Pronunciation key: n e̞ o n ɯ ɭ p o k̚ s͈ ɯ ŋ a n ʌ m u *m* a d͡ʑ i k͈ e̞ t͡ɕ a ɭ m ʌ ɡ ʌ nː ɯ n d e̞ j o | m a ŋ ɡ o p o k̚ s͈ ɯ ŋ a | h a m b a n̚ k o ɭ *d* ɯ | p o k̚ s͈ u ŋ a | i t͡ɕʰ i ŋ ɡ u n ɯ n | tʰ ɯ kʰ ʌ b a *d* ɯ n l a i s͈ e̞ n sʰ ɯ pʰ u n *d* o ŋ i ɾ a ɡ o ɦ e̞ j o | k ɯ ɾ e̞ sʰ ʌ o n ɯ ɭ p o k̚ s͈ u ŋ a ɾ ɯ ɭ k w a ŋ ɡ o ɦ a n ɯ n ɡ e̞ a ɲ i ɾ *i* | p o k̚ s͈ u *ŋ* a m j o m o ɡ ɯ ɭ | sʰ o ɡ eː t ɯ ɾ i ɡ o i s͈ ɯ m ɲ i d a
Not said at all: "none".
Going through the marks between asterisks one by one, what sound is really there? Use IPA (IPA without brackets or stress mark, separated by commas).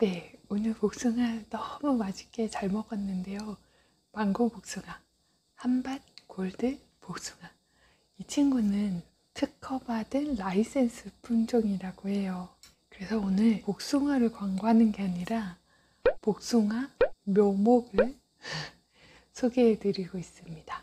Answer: m, d, d, d͡ʑ, a, ŋ